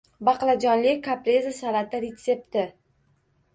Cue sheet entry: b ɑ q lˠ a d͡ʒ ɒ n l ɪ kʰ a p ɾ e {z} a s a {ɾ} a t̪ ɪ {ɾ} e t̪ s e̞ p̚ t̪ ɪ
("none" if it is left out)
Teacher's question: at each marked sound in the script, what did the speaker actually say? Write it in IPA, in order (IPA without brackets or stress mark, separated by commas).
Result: z, l, ɾ